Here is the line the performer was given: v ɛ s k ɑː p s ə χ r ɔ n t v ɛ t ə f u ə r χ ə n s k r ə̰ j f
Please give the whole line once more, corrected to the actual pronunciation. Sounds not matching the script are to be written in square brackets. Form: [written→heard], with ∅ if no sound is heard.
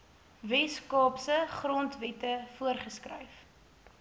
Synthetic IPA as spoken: v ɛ s k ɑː p s ə χ r ɔ n t v ɛ t ə f u ə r χ ə [n→∅] s k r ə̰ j f